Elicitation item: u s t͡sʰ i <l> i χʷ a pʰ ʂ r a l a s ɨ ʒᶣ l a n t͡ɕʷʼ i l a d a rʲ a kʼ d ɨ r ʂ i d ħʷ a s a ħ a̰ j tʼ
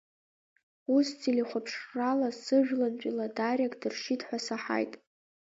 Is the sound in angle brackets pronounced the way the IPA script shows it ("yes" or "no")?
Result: yes